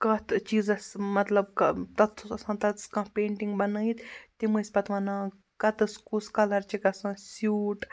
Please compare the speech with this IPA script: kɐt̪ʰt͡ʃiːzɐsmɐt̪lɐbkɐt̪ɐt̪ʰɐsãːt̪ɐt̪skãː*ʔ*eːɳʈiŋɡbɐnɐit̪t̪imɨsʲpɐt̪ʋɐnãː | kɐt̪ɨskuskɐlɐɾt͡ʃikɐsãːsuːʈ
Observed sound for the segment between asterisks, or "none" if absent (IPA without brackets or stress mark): p